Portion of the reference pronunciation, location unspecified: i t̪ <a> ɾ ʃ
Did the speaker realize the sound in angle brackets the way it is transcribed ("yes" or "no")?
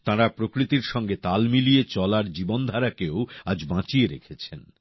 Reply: no